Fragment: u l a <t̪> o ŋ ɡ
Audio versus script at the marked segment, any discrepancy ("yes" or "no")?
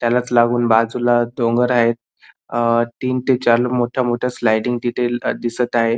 yes